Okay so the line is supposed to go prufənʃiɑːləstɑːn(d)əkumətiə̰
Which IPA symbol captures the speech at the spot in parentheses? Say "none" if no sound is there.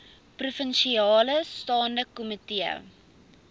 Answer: d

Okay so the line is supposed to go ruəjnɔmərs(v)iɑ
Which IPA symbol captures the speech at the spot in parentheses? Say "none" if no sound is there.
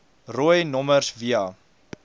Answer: v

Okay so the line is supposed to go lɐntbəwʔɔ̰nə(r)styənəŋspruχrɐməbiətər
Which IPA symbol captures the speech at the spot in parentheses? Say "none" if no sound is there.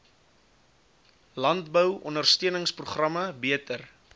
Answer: r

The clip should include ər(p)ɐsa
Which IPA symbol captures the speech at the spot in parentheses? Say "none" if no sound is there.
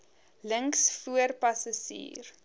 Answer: p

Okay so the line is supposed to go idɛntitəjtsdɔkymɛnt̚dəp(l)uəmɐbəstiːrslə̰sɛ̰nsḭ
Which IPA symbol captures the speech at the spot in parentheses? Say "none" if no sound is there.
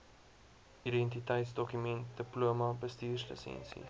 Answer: l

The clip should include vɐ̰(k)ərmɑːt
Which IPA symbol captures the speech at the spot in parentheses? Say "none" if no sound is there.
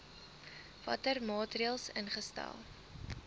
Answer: t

